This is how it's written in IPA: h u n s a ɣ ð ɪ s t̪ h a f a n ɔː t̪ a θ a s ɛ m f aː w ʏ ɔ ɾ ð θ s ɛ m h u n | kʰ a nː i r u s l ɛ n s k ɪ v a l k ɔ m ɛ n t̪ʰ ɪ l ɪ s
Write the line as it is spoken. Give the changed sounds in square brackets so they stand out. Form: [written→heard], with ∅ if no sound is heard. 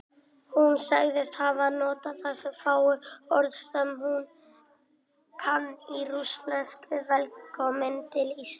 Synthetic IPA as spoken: h u n s a ɣ ð ɪ s t̪ h a [f→v] a n ɔː t̪ a θ a s ɛ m f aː w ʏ ɔ ɾ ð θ s ɛ m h u n | kʰ a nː i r u s l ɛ n s k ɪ v [a→ɛ] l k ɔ m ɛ n [t̪ʰ→t̪] ɪ l [ɪ→i] s